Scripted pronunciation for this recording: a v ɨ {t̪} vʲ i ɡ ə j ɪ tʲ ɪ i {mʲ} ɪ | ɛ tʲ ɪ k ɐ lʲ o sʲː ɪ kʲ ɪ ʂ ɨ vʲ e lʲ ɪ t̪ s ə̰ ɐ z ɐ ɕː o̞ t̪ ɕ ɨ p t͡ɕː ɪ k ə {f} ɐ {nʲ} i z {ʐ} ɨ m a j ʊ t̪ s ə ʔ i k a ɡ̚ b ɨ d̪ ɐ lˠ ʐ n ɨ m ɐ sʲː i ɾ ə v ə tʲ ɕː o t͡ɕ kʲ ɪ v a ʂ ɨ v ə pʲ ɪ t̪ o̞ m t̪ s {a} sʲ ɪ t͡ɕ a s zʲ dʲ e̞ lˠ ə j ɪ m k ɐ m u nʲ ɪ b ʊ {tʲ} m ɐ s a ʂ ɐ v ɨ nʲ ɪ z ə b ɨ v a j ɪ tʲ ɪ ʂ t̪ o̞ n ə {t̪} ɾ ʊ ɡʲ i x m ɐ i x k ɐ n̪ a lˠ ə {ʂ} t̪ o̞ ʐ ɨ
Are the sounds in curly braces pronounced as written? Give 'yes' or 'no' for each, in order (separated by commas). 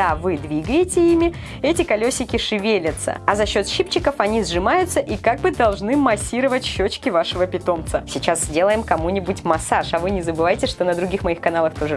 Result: no, yes, yes, yes, yes, no, yes, no, no